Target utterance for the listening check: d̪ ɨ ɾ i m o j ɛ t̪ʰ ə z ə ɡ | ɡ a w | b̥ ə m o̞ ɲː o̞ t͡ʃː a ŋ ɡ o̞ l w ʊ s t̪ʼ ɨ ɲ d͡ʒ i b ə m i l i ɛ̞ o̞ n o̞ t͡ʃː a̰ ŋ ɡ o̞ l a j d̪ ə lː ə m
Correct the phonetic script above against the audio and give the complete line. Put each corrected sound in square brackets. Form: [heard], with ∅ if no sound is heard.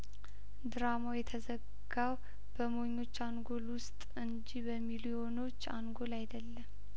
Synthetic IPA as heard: d̪ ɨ ɾ [a] m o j ɛ t̪ʰ ə z ə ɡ | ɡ a w | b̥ ə m o̞ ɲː o̞ t͡ʃː a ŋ ɡ o̞ l w ʊ s t̪ʼ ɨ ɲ d͡ʒ i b ə m i l i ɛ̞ o̞ n o̞ t͡ʃː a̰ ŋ ɡ o̞ l a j d̪ ə lː ə m

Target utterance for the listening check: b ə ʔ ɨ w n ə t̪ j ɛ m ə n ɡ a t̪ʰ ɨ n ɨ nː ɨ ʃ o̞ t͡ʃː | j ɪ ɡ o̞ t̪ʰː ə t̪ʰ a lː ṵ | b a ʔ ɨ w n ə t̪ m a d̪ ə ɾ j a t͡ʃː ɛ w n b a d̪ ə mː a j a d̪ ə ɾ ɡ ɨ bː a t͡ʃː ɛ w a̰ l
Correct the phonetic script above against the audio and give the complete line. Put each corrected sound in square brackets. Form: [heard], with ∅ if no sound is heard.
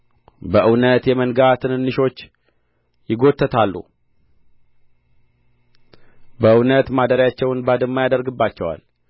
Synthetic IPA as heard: b ə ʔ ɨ w n ə t̪ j ɛ m ə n ɡ a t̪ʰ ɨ n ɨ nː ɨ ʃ o̞ t͡ʃː | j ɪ ɡ o̞ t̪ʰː ə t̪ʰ a lː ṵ | b [ə] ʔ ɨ w n ə t̪ m a d̪ ə ɾ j a t͡ʃː ɛ w n b a d̪ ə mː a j a d̪ ə ɾ ɡ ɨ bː a t͡ʃː ɛ w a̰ l

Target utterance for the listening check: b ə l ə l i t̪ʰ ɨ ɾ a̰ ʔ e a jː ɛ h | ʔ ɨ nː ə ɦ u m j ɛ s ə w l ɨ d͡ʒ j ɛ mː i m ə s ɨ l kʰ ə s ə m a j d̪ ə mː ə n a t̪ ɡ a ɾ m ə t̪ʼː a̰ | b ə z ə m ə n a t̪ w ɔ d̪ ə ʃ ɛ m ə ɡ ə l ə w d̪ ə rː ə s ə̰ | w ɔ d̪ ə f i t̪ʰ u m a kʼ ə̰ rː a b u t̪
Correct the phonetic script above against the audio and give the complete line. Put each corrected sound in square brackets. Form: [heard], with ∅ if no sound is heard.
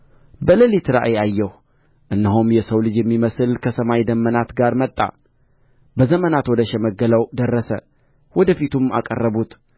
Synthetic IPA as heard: b ə l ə l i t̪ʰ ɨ ɾ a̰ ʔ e a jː ɛ h | ʔ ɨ nː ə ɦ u m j ɛ s ə w l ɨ d͡ʒ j ɛ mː i m ə s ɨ l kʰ ə s ə m a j d̪ ə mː ə n a t̪ ɡ a ɾ m ə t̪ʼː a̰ | b ə z ə m ə n a t̪ w ɔ d̪ ə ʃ ɛ m ə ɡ ə l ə w d̪ ə rː ə s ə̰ | w ɔ d̪ ə f i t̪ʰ u m a kʼ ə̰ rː [ə] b u t̪

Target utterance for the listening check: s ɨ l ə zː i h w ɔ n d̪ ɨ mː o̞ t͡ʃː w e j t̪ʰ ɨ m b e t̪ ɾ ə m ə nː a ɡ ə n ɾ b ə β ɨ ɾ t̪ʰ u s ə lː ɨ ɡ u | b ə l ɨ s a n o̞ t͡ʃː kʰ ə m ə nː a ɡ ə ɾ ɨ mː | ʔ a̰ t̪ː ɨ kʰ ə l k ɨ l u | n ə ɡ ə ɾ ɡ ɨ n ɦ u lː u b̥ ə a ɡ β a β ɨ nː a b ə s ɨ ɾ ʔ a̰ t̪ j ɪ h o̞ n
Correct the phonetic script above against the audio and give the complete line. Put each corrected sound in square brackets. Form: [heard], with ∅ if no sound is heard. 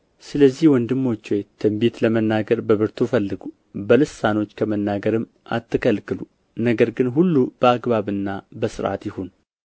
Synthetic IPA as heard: s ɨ l ə zː i h w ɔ n d̪ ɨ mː o̞ t͡ʃː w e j t̪ʰ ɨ m b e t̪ [l] ə m ə nː a ɡ ə [∅] ɾ b ə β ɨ ɾ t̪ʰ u [f] ə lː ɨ ɡ u | b ə l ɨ s a n o̞ t͡ʃː kʰ ə m ə nː a ɡ ə ɾ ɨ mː | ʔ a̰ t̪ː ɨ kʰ ə l k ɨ l u | n ə ɡ ə ɾ ɡ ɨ n ɦ u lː u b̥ ə a ɡ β a β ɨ nː a b ə s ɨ ɾ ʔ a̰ t̪ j ɪ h o̞ n

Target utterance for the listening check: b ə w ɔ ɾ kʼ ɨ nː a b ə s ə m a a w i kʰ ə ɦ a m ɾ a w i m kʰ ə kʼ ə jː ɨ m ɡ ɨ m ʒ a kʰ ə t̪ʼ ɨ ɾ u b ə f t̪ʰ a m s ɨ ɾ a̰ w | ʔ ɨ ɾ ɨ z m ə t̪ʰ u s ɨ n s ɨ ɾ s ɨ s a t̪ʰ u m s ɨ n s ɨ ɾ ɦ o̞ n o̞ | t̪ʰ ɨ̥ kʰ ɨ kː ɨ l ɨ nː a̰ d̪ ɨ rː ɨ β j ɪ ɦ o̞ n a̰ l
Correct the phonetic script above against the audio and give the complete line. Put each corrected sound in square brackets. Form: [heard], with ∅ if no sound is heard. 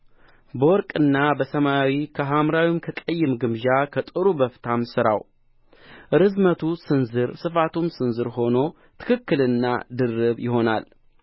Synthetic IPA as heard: b ə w ɔ ɾ kʼ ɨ nː a b ə s ə m a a w i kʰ ə ɦ a m ɾ a w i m kʰ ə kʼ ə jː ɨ m ɡ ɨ m ʒ a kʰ ə t̪ʼ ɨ ɾ u b ə f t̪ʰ a m s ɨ ɾ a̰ w | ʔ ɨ ɾ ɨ z m ə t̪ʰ u s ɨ n [z] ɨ ɾ s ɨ [f] a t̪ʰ u m s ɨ n [z] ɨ ɾ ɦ o̞ n o̞ | t̪ʰ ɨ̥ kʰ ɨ kː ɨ l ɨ nː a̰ d̪ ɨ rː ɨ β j ɪ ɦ o̞ n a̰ l

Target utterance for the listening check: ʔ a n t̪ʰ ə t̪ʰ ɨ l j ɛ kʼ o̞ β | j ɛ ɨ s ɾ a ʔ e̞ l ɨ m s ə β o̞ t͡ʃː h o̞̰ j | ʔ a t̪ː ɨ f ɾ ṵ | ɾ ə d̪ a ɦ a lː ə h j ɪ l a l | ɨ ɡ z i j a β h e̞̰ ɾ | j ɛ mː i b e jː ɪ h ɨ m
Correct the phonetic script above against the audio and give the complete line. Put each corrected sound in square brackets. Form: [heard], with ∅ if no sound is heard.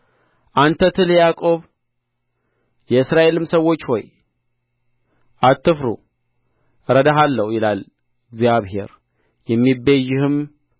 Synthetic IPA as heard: ʔ a n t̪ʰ ə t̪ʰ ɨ l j [a] kʼ o̞ β | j ɛ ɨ s ɾ a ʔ e̞ l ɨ m s ə [w] o̞ t͡ʃː h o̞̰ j | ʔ a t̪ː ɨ f ɾ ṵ | ɾ ə d̪ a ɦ a lː ə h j ɪ l a l | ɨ ɡ z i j a β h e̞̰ ɾ | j ɛ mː i b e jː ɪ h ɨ m

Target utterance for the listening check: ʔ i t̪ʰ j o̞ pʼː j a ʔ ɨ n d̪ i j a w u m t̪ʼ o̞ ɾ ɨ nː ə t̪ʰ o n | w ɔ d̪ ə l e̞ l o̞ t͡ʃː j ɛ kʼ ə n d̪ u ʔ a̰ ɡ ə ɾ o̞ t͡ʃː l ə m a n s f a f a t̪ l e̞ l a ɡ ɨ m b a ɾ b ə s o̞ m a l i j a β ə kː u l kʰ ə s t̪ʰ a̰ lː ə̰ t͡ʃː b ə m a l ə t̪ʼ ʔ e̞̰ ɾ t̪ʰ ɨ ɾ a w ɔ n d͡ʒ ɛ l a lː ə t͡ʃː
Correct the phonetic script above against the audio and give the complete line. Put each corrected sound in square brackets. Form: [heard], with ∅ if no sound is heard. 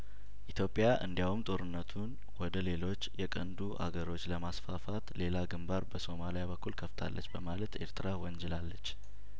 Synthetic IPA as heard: ʔ i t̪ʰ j o̞ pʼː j a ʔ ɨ n d̪ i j a w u m t̪ʼ o̞ ɾ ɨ nː ə t̪ʰ [u] n | w ɔ d̪ ə l e̞ l o̞ t͡ʃː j ɛ kʼ ə n d̪ u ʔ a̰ ɡ ə ɾ o̞ t͡ʃː l ə m a [∅] s f a f a t̪ l e̞ l a ɡ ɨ m b a ɾ b ə s o̞ m a l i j a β ə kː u l kʰ ə [f] t̪ʰ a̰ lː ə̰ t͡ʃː b ə m a l ə [t̪] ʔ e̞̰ ɾ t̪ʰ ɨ ɾ a w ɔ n d͡ʒ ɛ l a lː ə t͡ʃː

